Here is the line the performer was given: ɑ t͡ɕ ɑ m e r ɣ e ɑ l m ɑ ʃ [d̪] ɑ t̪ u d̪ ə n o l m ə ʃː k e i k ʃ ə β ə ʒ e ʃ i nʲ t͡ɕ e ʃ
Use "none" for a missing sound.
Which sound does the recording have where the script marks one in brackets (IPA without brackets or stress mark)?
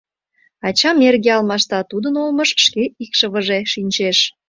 t̪